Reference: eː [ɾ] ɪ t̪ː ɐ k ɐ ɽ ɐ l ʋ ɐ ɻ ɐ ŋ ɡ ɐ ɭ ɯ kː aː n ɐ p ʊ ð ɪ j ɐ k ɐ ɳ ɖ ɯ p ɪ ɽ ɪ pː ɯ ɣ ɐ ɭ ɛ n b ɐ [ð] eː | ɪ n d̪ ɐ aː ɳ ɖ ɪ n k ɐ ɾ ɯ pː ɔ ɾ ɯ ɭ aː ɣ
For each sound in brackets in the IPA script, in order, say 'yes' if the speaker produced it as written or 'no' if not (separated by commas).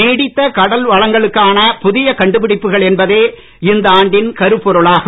no, yes